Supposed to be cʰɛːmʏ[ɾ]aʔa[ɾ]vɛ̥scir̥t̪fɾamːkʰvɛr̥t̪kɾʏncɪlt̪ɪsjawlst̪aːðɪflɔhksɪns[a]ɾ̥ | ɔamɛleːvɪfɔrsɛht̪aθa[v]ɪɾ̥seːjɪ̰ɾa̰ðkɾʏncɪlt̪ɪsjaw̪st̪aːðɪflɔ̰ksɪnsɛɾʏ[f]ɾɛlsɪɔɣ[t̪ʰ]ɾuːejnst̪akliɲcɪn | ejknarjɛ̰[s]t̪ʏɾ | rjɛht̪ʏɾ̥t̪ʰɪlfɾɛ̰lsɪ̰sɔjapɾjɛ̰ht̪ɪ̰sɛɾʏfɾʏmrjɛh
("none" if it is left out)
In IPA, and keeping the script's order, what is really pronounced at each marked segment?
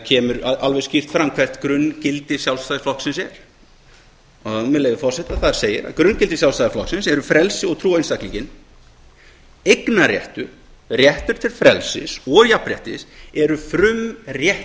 ɾ, l, ɛ, ð, f, t̪ʰ, h

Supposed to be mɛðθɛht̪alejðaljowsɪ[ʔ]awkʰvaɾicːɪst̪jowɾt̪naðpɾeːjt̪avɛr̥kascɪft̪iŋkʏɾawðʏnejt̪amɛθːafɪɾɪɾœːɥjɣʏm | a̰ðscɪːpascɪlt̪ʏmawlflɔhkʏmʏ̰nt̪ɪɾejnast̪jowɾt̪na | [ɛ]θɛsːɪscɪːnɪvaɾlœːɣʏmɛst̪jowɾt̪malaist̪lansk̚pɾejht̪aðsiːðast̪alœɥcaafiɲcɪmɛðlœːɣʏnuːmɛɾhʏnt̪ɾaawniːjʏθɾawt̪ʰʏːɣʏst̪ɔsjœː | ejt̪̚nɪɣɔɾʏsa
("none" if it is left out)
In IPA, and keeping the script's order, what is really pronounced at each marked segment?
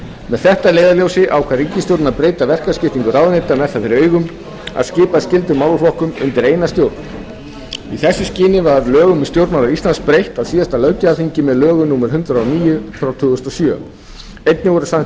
ʔ, i

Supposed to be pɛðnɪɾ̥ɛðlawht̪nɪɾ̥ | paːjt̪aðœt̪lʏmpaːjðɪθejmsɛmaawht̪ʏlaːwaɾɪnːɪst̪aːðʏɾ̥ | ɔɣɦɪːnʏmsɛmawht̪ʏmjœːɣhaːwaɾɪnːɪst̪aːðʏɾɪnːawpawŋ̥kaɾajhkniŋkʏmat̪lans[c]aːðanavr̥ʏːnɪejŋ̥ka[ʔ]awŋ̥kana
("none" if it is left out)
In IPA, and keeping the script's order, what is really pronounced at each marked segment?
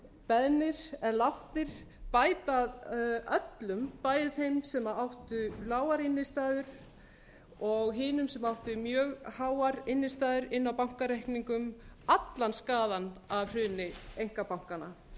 k, p

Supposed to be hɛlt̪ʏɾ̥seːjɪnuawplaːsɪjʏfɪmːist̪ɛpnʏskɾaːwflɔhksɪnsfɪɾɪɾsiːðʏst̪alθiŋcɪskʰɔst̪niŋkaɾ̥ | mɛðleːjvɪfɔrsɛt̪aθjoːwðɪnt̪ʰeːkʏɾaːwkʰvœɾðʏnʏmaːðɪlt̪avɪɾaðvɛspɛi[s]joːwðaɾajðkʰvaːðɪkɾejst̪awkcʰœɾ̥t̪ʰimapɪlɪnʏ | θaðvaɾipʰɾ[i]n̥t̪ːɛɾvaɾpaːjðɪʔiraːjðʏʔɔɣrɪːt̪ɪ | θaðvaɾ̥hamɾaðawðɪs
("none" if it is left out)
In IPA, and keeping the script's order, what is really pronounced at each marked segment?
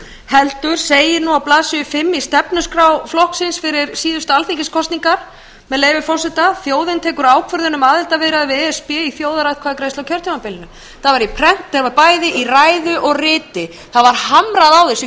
θ, ɛ

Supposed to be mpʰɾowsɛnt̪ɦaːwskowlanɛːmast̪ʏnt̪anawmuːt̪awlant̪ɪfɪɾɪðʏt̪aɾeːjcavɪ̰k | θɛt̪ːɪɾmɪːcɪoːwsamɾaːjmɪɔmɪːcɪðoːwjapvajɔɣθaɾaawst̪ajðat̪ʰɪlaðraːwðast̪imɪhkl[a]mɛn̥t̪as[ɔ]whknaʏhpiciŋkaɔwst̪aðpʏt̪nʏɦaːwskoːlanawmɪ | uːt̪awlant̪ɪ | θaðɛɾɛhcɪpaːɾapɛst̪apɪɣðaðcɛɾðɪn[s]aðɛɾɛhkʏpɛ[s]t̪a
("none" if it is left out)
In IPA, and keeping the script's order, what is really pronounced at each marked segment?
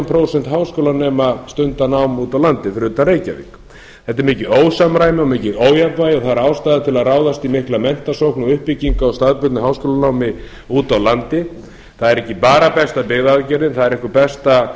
a, o, θ, s

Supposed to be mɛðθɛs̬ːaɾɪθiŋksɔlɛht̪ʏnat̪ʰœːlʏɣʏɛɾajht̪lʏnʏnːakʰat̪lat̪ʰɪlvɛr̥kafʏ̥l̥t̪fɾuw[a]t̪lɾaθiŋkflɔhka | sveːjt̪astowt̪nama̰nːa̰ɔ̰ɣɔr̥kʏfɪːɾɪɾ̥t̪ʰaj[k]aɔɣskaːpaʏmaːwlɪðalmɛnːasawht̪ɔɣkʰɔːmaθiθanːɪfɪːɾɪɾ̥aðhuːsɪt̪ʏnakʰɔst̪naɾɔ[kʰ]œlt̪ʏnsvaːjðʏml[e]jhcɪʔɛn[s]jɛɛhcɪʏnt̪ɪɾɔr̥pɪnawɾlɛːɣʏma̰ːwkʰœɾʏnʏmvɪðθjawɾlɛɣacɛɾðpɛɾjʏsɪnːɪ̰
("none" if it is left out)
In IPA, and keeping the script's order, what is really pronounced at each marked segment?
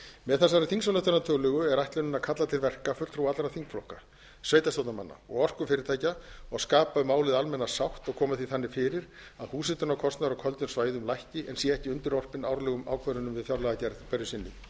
a, c, kʰ, a, s

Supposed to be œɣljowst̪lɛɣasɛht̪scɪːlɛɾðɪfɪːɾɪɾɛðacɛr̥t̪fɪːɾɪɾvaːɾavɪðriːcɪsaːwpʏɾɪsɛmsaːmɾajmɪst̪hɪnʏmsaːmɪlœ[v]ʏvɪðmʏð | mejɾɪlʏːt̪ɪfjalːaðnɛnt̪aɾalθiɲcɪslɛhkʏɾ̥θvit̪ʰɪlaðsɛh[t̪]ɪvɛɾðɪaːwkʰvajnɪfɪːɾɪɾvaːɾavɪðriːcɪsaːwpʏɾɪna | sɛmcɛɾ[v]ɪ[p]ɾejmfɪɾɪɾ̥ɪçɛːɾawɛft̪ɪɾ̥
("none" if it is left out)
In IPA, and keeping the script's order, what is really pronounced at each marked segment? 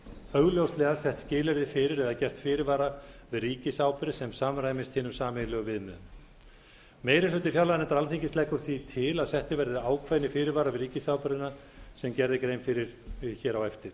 ɣ, t̪, ð, k

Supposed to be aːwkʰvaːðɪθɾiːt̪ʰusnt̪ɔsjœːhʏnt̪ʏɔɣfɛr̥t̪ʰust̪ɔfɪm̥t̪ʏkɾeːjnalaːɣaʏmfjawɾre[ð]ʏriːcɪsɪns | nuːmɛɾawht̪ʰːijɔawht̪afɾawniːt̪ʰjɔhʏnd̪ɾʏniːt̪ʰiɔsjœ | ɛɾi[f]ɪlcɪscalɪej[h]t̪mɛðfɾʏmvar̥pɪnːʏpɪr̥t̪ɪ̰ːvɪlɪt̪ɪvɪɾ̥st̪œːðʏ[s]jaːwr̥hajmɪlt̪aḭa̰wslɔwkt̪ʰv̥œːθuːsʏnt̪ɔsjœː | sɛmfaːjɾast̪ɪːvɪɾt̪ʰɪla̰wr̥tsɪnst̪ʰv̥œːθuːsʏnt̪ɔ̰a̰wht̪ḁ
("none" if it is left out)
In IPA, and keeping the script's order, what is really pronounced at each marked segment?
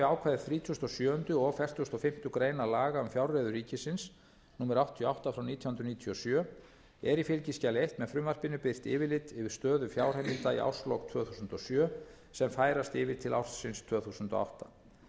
ð, f, h, f

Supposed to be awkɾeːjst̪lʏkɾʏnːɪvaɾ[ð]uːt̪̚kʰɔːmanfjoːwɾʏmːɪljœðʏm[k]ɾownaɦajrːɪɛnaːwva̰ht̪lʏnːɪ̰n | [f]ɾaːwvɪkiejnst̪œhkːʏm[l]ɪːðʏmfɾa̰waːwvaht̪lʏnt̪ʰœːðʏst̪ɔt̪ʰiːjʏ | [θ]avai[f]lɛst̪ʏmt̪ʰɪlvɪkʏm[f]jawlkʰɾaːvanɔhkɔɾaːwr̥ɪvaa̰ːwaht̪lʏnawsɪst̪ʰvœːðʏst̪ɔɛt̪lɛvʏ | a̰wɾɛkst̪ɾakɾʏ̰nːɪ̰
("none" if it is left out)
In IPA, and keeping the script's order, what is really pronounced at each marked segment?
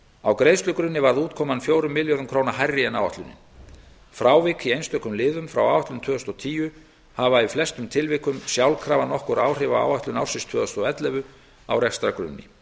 ð, kʰ, f, l, h, f, s

